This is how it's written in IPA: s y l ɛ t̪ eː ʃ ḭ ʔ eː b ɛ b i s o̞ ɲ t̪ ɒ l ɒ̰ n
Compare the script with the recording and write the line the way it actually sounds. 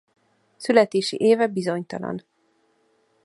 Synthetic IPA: s y l ɛ t̪ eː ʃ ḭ ʔ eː v ɛ b i z o̞ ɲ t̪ ɒ l ɒ̰ n